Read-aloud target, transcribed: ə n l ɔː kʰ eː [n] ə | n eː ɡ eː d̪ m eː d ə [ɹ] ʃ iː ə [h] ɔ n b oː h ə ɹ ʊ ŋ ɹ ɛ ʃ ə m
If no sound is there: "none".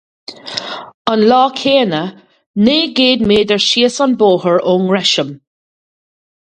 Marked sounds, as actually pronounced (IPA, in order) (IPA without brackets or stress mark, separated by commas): n, ɹ, s